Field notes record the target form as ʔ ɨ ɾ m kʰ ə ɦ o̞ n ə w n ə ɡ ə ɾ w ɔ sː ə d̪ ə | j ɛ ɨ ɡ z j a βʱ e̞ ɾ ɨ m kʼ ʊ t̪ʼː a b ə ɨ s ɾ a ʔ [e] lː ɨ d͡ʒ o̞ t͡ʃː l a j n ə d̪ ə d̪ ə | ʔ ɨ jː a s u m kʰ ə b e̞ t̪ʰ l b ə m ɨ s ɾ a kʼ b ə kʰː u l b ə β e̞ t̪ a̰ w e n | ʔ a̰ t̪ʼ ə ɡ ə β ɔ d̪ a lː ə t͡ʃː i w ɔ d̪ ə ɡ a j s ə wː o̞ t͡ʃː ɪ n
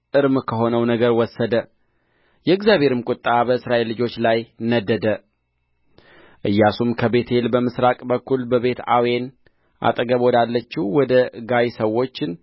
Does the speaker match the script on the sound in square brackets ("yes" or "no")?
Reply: yes